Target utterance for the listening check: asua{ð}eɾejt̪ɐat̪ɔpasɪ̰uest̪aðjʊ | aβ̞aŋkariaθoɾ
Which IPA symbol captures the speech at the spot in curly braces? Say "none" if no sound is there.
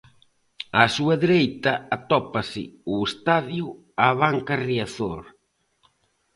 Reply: ð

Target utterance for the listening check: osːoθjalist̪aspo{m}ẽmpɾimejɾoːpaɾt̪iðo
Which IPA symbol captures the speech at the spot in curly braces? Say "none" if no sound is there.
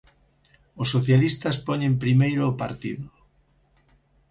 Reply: ɲ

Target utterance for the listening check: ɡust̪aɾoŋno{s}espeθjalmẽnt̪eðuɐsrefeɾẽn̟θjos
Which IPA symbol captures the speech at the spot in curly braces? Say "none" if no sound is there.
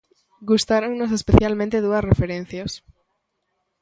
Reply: s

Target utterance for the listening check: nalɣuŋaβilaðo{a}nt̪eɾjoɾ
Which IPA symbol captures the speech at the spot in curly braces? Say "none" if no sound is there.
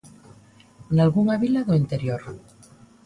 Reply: i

